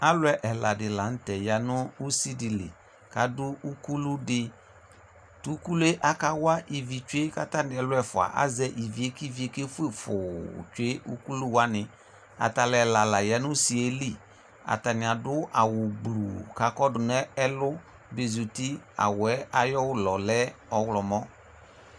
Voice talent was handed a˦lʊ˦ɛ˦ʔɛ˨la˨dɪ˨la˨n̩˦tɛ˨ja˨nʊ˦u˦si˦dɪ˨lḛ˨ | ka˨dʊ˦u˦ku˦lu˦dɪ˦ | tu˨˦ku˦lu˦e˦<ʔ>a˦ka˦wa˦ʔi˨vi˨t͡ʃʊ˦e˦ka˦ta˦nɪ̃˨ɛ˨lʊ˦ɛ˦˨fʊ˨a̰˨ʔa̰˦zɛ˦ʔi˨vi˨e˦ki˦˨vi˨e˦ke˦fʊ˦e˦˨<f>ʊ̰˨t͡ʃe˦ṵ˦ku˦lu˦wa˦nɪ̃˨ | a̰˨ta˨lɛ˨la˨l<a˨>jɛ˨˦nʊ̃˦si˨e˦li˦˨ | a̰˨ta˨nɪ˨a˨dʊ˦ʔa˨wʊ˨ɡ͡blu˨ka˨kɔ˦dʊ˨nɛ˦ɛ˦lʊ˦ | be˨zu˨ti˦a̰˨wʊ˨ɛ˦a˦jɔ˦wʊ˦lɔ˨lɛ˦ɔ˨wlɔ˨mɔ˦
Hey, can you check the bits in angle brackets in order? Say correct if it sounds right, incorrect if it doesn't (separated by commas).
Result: correct, correct, correct